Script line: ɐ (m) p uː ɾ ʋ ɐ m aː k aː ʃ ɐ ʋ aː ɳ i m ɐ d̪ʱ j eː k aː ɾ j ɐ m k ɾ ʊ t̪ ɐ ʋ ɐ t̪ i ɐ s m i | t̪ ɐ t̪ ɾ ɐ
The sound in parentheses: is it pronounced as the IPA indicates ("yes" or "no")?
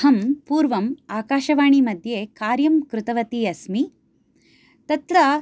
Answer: yes